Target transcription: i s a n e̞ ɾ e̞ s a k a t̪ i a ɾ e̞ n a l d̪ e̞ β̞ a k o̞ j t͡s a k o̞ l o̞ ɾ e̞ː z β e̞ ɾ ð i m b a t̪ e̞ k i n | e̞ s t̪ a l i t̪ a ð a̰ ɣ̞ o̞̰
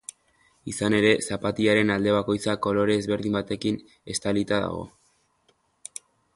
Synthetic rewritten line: i s a n e̞ ɾ e̞ s a p a t̪ i a ɾ e̞ n a l d̪ e̞ β̞ a k o̞ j t͡s a k o̞ l o̞ ɾ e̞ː z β e̞ ɾ ð i m b a t̪ e̞ k i n | e̞ s t̪ a l i t̪ a ð a̰ ɣ̞ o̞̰